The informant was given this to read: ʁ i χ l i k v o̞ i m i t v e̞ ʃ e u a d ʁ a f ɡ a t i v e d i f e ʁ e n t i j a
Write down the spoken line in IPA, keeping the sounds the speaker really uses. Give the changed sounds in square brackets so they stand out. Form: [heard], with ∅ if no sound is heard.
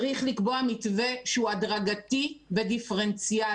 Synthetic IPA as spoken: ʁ i χ l i k [b] o̞ [a] m i t v e̞ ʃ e u a d ʁ a [∅] ɡ a t i v e d i f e ʁ e n [t͡s] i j a